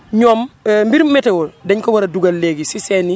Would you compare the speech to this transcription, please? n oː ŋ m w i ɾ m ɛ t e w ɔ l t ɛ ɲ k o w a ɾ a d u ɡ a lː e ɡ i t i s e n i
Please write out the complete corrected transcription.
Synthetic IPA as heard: ɲ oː m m b i ɾ m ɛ t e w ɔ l d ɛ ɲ k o w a ɾ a d u ɡ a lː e ɡ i s i s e n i